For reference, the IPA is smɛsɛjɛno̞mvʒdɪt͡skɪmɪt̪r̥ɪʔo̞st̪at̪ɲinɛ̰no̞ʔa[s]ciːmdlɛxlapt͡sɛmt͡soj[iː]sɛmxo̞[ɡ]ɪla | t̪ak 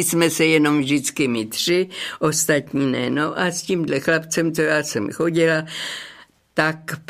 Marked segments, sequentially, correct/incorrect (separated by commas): correct, incorrect, incorrect